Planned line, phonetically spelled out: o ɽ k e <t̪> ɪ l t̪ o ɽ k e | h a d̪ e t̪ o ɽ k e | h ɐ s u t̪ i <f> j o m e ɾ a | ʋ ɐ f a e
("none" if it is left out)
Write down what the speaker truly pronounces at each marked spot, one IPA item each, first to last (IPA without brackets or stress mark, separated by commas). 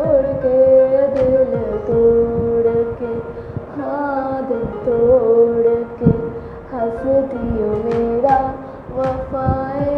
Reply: d̪, none